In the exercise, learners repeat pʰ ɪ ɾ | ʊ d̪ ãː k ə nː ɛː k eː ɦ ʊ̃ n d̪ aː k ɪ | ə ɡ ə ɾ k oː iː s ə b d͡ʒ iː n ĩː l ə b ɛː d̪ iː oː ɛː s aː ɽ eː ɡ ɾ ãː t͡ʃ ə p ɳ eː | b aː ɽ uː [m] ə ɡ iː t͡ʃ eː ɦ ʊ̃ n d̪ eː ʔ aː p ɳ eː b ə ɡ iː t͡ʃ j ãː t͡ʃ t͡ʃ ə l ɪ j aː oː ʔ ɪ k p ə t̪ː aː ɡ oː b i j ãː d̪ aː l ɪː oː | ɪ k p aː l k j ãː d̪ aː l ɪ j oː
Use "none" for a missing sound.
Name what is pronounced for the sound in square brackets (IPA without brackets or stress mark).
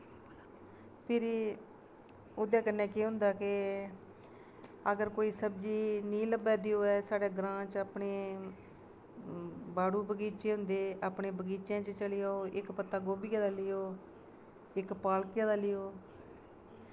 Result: b